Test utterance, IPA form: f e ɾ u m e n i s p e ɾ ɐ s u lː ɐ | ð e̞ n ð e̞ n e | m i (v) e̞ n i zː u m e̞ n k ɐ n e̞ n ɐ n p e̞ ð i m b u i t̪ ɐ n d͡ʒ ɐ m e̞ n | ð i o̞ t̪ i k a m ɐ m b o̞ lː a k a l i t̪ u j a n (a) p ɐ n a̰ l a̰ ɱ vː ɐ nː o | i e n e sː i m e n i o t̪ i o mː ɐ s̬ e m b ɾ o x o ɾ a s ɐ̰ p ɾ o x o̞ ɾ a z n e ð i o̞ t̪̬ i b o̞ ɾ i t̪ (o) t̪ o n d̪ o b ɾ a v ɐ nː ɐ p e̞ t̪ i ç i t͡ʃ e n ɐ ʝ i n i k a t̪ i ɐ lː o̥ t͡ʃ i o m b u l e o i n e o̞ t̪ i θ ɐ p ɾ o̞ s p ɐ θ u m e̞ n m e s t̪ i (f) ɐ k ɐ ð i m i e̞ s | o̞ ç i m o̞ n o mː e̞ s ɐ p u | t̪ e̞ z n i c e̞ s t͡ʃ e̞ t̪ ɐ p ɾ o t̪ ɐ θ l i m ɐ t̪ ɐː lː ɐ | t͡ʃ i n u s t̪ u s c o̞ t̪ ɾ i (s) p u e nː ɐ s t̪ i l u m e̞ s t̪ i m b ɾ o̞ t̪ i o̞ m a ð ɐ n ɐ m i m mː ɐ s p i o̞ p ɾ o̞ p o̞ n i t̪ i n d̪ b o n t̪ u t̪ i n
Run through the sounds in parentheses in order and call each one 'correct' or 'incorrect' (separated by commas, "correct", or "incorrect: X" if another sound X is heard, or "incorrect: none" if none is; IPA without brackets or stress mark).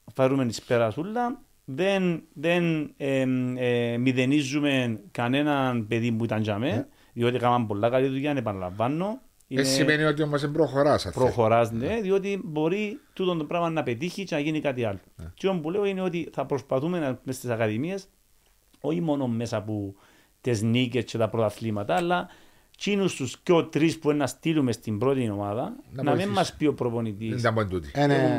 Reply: incorrect: ð, incorrect: e, incorrect: u, incorrect: s, correct